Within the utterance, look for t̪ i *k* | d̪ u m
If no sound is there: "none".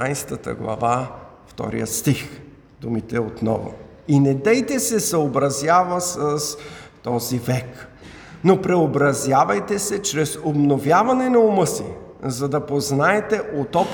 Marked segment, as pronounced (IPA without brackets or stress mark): x